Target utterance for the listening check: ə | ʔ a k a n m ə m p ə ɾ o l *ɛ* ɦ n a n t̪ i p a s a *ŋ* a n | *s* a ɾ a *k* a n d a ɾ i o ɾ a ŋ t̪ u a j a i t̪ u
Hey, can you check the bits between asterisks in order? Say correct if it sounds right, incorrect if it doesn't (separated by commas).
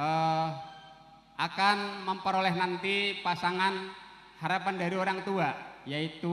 correct, correct, incorrect, incorrect